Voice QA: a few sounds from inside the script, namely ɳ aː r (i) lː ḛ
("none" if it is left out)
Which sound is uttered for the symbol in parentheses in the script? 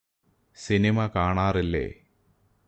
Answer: i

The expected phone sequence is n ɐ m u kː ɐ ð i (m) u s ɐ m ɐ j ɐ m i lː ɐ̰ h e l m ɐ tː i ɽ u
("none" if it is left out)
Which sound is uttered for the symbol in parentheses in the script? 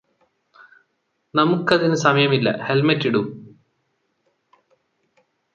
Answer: n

